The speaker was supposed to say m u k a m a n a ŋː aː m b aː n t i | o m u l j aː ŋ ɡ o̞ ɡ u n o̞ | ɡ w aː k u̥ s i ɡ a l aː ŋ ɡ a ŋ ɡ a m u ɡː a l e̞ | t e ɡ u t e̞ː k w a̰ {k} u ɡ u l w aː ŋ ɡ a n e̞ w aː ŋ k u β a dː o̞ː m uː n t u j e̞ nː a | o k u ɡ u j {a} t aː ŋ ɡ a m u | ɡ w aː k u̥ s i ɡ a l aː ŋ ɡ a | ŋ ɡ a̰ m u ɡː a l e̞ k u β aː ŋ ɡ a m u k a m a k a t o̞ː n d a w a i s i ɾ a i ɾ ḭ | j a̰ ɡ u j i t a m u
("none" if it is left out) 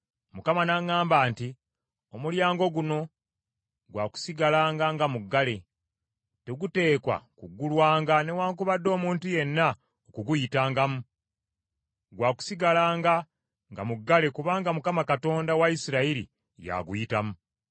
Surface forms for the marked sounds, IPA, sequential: k, i

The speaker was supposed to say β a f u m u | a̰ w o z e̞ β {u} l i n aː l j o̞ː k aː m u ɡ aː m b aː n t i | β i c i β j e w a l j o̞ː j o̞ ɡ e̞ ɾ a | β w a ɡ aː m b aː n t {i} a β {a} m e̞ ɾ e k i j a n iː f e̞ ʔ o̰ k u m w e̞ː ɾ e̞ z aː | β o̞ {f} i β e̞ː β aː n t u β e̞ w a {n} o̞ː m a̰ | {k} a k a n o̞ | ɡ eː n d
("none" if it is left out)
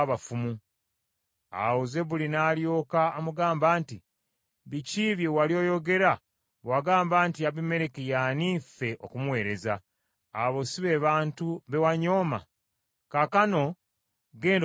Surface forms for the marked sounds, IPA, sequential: u, i, i, s, ɲ, k

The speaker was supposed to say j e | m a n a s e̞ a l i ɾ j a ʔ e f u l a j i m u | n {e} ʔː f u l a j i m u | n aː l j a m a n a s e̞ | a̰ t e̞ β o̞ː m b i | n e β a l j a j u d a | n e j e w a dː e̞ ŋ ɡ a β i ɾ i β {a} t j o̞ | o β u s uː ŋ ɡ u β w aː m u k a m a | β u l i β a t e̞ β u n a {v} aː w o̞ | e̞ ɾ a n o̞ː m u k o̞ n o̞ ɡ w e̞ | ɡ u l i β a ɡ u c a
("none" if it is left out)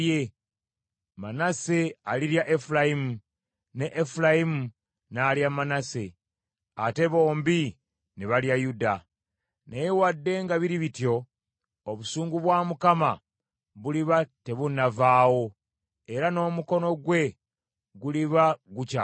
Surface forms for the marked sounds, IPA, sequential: e, i, v

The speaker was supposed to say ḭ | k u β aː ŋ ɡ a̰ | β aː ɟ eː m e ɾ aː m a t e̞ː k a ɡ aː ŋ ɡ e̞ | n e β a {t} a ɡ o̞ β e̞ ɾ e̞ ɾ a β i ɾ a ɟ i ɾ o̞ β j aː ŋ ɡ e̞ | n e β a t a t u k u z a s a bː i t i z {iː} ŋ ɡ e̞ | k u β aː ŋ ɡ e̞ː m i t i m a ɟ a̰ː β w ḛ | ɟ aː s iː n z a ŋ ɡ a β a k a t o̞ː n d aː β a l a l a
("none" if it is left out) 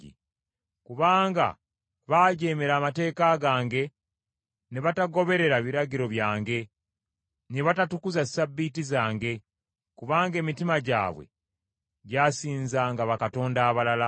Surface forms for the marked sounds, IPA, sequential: t, aː

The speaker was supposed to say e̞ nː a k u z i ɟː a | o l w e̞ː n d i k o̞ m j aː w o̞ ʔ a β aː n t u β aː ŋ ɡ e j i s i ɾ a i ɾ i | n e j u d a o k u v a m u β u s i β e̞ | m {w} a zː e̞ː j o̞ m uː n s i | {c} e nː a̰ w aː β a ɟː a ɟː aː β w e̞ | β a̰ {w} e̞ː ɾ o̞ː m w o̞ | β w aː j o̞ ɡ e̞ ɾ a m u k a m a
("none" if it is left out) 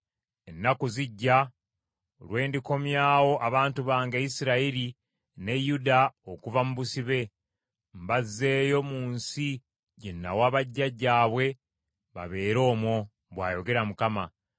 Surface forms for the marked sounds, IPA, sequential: b, ɟ, β

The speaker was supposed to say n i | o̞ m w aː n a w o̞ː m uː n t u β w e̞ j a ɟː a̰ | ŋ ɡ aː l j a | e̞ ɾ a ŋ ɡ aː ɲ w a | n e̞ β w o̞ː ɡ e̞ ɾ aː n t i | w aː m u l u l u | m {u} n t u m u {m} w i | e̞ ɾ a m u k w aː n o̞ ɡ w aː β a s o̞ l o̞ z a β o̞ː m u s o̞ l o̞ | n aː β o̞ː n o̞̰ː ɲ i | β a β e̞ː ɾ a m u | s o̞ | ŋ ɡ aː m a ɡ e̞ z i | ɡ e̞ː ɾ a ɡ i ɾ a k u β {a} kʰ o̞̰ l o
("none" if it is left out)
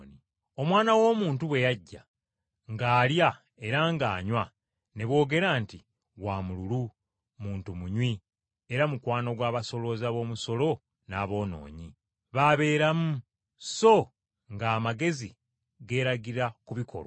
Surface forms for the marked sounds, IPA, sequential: uː, ɲ, i

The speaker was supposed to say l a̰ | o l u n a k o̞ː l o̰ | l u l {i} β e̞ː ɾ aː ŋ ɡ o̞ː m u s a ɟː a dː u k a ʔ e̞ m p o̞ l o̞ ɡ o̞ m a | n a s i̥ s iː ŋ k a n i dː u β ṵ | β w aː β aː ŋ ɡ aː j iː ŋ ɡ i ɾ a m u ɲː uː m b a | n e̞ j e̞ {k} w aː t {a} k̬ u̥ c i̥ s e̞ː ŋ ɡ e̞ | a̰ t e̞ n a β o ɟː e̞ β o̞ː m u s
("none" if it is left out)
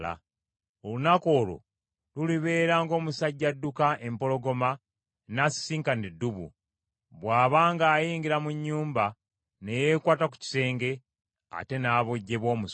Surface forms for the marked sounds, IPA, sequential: i, k, a

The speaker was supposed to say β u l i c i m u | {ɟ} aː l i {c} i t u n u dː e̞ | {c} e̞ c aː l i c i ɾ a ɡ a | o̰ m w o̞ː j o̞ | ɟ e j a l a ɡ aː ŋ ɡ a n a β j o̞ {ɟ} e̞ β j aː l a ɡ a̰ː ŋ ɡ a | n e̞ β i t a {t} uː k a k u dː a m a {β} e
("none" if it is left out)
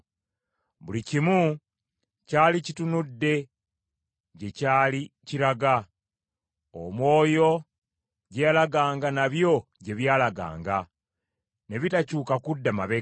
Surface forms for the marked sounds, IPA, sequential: c, c, ɟ, ɟ, c, β

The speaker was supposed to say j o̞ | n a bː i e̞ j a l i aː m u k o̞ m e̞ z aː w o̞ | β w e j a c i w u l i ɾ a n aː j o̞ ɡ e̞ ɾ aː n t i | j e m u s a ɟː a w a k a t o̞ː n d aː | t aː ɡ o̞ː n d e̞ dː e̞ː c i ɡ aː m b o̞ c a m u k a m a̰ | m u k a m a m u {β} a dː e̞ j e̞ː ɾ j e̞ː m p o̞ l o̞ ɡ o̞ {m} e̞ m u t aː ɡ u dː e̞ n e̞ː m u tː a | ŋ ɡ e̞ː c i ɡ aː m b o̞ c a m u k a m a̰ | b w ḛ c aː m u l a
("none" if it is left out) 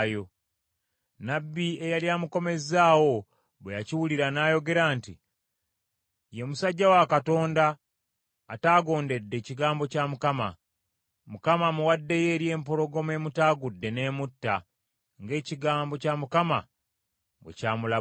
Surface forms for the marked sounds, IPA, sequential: w, m

